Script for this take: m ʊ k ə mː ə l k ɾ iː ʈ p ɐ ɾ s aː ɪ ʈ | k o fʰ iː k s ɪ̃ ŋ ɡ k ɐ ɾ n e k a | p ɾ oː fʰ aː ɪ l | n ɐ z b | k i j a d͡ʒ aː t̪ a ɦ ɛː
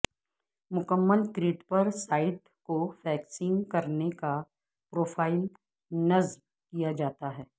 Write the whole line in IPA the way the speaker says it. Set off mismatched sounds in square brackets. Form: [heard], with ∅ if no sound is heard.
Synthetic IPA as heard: m ʊ k ə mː ə l k ɾ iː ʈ p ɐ ɾ s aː ɪ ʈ | k o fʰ [ɛː] k s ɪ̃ ŋ ɡ k ɐ ɾ n e k a | p ɾ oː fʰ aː ɪ l | n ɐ z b | k i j a d͡ʒ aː t̪ a ɦ ɛː